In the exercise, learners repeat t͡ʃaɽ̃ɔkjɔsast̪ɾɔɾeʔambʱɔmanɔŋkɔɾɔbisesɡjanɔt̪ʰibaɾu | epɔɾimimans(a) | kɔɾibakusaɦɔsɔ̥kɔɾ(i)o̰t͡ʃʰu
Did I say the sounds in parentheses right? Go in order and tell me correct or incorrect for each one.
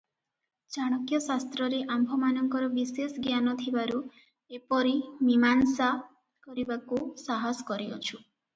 correct, correct

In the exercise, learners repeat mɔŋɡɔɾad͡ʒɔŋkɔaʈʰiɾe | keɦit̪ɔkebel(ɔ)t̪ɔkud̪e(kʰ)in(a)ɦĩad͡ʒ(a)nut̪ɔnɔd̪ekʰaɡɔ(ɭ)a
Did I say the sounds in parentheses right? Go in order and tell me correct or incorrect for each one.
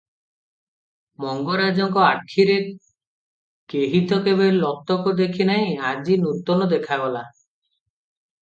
correct, correct, correct, incorrect: i, incorrect: l

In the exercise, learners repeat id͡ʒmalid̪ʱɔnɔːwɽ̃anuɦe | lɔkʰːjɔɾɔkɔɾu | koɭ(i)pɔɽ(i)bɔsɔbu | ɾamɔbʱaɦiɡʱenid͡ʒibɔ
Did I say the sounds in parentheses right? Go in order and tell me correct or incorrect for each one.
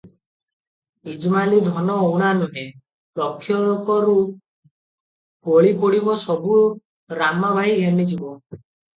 correct, correct

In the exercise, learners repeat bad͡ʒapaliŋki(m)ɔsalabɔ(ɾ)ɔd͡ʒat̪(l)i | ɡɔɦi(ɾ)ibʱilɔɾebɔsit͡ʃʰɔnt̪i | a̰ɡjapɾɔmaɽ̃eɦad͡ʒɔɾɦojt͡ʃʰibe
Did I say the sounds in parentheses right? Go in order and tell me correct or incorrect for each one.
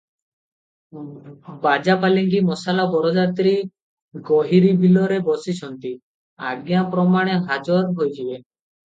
correct, correct, incorrect: ɾ, correct

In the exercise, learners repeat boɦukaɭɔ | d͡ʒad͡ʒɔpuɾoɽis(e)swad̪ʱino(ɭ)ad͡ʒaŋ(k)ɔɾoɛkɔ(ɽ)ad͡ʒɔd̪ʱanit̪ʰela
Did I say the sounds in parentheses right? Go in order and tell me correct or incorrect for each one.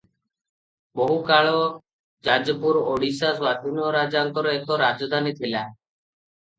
incorrect: a, incorrect: ɾ, correct, incorrect: ɾ

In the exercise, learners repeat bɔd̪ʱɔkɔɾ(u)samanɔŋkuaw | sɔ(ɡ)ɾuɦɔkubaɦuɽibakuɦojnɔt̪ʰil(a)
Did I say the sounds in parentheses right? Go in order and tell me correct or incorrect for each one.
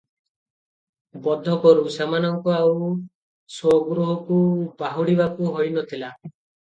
correct, correct, correct

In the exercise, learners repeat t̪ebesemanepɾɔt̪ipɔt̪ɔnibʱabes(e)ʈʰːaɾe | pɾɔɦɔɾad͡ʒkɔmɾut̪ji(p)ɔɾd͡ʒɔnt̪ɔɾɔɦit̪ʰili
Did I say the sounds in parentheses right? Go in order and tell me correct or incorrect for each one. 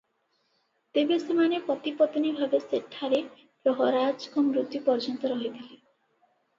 correct, correct

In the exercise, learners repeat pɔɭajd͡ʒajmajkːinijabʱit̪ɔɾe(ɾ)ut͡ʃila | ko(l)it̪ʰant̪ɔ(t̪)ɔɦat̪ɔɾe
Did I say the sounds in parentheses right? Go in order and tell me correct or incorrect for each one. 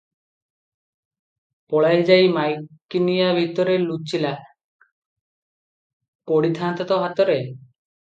incorrect: l, incorrect: ɽ, correct

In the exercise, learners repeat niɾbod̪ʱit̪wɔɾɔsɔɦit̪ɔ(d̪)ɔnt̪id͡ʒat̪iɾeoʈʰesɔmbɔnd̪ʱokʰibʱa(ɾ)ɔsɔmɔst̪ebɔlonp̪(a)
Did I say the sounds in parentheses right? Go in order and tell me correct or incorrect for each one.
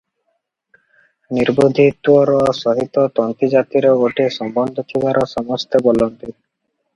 incorrect: t̪, correct, incorrect: i

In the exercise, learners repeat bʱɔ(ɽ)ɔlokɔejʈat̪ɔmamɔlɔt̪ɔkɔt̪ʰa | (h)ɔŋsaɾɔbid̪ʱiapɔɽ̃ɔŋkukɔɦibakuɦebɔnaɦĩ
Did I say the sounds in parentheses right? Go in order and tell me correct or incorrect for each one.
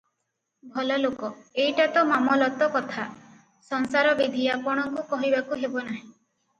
incorrect: l, incorrect: s

